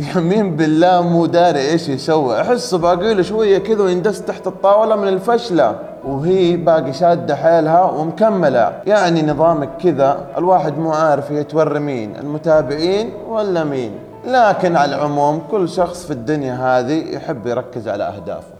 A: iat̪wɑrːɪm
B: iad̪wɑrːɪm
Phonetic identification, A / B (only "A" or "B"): A